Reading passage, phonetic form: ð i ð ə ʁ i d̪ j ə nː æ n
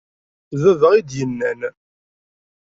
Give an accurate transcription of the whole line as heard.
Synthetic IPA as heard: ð æ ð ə ʁ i d̪ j ə nː æ n